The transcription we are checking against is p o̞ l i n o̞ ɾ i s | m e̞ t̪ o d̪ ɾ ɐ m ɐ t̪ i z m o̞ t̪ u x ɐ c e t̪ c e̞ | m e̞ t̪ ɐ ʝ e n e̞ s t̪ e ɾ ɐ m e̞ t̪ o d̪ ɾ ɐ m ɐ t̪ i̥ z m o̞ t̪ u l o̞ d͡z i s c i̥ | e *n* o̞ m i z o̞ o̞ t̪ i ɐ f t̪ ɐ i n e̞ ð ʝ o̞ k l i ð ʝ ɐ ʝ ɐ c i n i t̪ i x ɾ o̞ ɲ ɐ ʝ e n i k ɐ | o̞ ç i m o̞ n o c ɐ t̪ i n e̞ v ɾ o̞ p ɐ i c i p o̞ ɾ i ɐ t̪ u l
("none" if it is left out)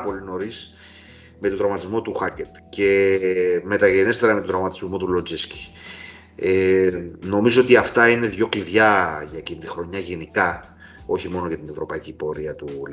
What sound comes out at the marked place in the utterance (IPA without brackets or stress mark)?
n